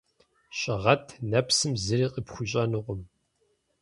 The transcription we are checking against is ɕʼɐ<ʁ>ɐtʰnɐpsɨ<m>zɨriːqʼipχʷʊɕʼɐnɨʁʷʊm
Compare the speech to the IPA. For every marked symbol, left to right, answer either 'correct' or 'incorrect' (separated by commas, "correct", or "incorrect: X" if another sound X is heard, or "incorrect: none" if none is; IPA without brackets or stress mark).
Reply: correct, correct